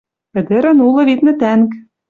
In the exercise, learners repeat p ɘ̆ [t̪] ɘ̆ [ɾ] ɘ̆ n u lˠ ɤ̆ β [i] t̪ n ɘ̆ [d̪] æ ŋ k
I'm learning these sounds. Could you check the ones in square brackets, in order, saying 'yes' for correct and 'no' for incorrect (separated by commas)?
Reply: no, yes, yes, no